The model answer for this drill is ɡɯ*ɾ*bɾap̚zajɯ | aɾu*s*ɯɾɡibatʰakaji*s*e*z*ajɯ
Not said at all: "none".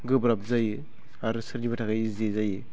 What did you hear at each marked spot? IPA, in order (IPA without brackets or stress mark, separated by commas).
none, s, z, z